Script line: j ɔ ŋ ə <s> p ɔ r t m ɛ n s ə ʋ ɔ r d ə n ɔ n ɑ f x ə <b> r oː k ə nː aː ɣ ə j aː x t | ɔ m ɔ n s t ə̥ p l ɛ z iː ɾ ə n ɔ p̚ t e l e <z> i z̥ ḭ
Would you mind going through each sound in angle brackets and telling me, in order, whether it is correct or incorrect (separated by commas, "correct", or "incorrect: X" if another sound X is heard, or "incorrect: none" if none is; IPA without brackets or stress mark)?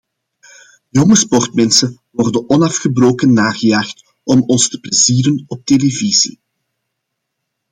correct, correct, incorrect: v